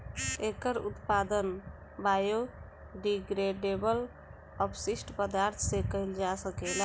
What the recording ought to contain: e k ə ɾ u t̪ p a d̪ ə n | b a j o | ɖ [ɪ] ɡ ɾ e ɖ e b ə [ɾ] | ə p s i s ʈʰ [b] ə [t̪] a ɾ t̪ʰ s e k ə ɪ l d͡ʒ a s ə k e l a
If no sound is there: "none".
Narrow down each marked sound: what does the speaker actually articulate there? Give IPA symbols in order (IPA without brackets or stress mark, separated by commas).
i, l, p, d̪